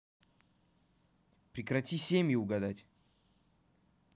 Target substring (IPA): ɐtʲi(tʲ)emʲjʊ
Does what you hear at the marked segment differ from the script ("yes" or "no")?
yes